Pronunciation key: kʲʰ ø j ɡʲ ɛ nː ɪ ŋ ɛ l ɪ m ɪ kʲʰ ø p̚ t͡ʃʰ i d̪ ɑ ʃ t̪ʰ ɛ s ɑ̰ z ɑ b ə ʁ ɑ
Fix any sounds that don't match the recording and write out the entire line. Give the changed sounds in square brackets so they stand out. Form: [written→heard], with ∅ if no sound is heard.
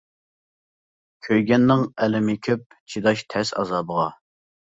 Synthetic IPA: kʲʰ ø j ɡʲ ɛ nː ɪ ŋ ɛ l ɪ m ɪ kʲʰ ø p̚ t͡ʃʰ i d̪ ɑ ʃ t̪ʰ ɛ s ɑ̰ z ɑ b ə ʁ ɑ